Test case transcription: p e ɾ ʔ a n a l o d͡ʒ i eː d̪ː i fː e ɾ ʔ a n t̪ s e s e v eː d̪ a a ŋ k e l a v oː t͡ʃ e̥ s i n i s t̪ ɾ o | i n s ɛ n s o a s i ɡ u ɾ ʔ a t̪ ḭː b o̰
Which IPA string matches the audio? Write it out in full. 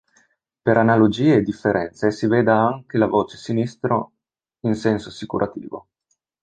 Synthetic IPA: p e ɾ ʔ a n a l o d͡ʒ iː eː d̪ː i fː e ɾ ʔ ɛ n t̪ s e s i v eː d̪ a a ŋ k e l a v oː t͡ʃ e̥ s i n i s t̪ ɾ o | i n s ɛ n s o a s i k u ɾ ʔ a t̪ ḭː v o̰